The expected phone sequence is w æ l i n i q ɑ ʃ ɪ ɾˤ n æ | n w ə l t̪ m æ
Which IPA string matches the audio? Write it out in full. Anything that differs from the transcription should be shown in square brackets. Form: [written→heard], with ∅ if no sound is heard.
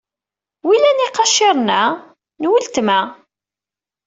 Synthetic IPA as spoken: w [æ→i] l [i→æ] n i q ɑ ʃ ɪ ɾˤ n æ | n w ə l t̪ m æ